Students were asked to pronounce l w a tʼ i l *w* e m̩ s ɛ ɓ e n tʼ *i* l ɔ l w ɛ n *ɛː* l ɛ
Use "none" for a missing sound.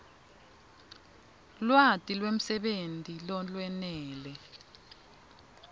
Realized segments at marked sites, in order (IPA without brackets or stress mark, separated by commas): w, i, ɛː